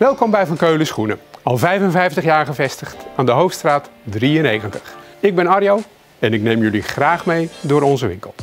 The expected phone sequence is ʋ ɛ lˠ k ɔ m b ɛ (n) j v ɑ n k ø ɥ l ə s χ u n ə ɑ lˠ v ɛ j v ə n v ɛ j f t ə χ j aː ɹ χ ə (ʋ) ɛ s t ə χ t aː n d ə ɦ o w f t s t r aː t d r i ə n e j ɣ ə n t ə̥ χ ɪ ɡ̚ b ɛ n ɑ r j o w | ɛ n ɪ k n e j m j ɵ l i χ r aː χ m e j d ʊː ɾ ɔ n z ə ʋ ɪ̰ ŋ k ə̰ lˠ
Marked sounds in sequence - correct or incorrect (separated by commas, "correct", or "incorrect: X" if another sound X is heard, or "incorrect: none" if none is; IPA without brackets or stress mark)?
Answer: incorrect: none, incorrect: v